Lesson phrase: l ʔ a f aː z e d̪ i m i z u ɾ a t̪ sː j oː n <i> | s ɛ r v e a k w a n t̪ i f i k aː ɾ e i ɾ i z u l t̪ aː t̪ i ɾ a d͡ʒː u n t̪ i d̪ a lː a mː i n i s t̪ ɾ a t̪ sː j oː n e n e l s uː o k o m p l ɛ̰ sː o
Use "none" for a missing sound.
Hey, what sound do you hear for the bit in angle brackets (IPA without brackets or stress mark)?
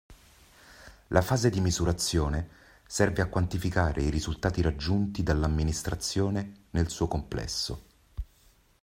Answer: e